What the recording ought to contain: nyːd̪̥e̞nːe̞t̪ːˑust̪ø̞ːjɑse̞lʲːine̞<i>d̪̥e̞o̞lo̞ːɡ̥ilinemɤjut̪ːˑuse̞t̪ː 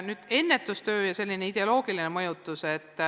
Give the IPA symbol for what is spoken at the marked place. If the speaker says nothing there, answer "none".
i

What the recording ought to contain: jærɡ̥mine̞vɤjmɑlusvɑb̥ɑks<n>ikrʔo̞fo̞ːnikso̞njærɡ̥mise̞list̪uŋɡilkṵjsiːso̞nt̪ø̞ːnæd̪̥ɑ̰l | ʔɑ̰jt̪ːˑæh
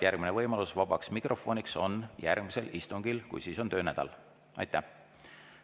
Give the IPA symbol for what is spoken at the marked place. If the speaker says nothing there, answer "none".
m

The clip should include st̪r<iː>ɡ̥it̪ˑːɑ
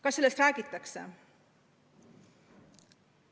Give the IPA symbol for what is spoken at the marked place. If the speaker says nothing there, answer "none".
æː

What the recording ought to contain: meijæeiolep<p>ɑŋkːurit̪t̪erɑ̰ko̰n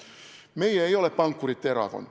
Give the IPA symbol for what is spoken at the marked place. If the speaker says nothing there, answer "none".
p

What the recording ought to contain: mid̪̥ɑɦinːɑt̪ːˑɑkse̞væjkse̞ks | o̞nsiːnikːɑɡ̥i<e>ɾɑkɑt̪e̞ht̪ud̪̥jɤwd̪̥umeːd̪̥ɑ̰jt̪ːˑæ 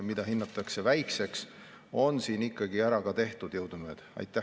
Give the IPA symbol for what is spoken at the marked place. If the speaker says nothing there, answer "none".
æ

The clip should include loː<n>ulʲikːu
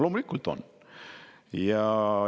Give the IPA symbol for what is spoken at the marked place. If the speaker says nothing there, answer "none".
m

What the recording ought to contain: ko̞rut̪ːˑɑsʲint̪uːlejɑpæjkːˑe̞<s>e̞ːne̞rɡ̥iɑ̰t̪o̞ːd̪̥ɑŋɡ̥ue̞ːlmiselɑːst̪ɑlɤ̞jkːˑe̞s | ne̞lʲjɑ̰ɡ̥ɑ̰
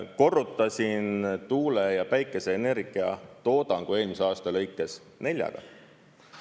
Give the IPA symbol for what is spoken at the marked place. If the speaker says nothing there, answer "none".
s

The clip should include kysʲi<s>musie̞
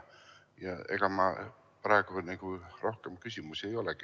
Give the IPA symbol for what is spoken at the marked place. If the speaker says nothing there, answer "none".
none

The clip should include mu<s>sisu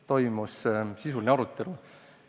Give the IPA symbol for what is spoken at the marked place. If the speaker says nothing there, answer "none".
s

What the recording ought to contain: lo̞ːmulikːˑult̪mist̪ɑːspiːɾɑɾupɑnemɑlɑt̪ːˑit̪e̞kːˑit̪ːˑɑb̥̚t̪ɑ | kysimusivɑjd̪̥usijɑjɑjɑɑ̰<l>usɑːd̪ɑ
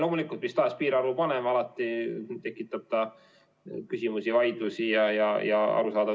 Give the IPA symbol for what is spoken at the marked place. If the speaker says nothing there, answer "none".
ɾ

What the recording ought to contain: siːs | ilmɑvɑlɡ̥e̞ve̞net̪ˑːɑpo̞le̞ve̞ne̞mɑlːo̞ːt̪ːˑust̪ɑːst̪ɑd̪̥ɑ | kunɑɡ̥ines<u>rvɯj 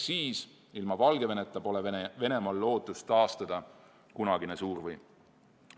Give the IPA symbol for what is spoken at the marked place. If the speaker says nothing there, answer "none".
uː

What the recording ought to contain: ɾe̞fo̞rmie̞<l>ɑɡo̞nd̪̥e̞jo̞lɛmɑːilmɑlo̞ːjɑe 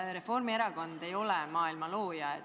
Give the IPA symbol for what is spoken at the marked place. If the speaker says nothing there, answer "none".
ɾ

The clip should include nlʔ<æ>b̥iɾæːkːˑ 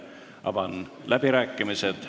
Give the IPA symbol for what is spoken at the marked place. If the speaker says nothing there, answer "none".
æ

